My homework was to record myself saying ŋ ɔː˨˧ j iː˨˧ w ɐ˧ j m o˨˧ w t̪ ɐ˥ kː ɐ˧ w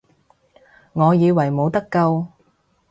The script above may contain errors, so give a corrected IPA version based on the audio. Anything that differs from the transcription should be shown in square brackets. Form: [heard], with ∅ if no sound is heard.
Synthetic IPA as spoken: ŋ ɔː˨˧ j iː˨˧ w [ɐ˨˩] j m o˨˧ w t̪ ɐ˥ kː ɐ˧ w